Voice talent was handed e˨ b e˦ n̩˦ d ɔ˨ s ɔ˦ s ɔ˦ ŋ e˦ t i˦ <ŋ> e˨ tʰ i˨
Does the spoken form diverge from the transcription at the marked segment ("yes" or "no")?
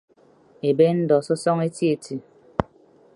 yes